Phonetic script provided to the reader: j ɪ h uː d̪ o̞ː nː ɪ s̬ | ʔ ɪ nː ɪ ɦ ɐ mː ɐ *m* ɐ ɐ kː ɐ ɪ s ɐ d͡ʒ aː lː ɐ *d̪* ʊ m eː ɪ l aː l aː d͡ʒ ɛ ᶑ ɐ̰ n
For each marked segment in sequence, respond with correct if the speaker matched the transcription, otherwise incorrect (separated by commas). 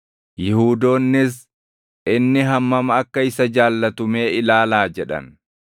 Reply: correct, incorrect